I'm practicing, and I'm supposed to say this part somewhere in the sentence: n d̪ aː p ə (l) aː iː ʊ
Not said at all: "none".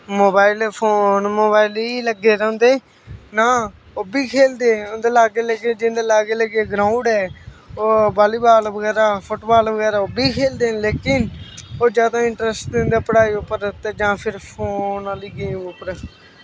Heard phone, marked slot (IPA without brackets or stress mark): ɽ